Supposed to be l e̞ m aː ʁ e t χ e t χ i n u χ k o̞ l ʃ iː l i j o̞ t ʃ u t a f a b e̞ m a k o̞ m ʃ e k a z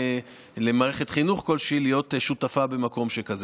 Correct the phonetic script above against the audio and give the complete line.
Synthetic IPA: l e̞ m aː ʁ e χ e t χ i n u χ k o̞ l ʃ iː l i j o̞ t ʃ u t a f a b e̞ m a k o̞ m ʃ e k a z